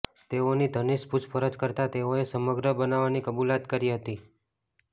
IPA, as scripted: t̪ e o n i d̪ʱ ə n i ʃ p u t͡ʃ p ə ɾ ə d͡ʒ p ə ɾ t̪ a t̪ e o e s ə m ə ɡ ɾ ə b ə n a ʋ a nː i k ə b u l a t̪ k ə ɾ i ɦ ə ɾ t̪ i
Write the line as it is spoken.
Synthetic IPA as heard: t̪ e o n i d̪ʱ ə n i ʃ p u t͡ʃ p ə ɾ ə d͡ʒ k ə ɾ t̪ a t̪ e o e s ə m ə ɡ ɾ ə b ə n a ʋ a n i k ə b u l a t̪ k ə ɾ i ɦ ə t̪ i